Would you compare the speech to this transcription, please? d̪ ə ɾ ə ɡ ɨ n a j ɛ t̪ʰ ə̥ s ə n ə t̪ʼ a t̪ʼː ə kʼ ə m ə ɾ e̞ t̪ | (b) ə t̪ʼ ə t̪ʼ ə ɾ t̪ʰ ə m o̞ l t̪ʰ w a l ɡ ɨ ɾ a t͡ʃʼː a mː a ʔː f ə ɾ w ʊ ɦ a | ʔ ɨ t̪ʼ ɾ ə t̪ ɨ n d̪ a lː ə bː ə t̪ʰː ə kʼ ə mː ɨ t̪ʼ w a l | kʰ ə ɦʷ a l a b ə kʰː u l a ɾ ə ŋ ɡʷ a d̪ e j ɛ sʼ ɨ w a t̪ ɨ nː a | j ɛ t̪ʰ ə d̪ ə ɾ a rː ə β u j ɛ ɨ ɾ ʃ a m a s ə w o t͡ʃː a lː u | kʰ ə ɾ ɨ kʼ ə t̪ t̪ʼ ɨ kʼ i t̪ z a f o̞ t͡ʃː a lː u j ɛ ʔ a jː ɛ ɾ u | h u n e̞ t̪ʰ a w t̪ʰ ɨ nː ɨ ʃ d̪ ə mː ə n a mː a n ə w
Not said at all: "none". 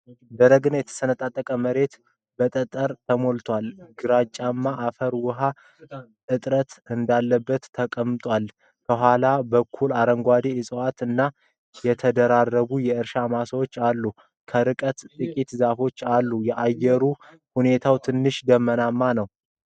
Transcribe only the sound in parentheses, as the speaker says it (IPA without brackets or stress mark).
b